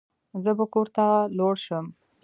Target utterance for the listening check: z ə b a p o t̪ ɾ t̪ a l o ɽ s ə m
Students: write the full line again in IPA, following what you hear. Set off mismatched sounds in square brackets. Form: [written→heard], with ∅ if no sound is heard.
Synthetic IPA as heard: z ə b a [p→k] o [t̪→∅] ɾ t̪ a l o ɽ [s→ʃ] ə m